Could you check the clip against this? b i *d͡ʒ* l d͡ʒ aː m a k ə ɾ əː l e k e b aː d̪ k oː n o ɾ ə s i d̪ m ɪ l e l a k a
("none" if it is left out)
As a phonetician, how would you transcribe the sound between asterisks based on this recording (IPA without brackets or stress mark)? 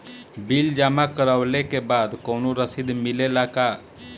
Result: none